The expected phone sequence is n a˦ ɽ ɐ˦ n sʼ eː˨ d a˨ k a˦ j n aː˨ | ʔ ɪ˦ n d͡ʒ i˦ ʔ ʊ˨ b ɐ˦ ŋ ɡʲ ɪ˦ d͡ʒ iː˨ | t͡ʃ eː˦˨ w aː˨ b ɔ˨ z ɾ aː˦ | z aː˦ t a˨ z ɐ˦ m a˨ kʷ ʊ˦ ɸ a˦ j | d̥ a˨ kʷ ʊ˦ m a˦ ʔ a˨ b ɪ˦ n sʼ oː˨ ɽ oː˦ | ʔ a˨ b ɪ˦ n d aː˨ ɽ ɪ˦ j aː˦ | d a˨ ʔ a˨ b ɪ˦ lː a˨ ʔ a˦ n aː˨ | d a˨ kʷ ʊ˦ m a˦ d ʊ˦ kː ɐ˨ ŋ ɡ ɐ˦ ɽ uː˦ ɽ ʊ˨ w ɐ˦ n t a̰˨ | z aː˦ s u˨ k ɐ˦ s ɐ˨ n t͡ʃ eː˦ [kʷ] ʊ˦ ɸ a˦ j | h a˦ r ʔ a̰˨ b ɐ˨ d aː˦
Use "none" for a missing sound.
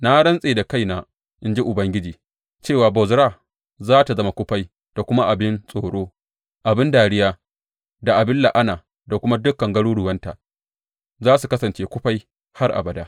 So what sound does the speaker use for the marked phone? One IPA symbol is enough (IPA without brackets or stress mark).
kʷ